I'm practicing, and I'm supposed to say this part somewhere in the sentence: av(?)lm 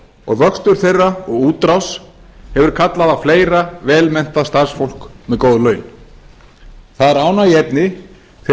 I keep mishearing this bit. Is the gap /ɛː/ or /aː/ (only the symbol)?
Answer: ɛː